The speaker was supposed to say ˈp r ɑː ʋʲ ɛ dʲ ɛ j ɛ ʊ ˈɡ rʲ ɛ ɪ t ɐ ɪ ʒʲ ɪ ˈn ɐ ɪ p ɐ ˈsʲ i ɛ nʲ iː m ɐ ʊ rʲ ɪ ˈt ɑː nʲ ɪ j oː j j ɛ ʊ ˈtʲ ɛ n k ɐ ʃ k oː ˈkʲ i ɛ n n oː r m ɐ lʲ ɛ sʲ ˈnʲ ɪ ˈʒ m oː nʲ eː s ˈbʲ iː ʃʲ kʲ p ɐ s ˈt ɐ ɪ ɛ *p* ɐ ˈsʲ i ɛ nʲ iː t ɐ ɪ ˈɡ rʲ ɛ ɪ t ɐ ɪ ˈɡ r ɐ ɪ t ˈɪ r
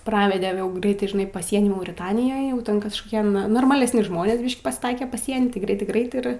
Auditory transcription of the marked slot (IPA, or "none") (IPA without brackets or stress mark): p